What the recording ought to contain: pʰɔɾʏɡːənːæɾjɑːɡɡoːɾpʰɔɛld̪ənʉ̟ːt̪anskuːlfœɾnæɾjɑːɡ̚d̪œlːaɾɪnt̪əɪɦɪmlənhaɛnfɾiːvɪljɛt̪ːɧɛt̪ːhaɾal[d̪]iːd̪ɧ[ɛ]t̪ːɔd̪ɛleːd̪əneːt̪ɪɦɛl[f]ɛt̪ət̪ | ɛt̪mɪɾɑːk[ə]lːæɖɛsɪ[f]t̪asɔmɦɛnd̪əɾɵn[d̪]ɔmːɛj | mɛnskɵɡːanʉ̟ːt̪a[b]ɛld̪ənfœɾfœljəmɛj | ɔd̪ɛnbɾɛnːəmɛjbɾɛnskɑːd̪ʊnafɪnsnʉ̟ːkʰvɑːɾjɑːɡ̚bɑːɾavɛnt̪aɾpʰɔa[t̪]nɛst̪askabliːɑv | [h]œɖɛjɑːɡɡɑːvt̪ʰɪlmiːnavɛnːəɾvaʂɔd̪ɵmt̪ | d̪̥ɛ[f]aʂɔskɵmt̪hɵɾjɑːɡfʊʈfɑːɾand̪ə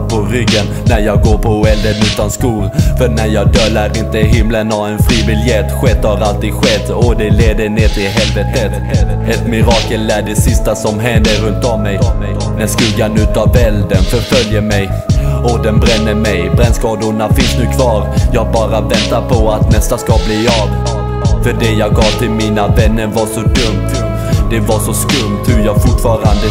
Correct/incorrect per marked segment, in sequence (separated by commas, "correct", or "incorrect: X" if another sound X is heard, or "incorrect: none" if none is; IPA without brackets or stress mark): incorrect: t̪, correct, incorrect: v, correct, incorrect: s, incorrect: t̪, incorrect: v, correct, incorrect: f, incorrect: v